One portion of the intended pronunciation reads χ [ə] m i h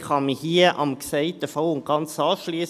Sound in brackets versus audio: incorrect: ɑ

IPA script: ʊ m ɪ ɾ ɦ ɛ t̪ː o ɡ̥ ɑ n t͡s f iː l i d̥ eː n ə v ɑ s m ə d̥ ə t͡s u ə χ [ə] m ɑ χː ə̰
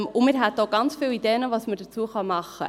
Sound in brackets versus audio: incorrect: ɑ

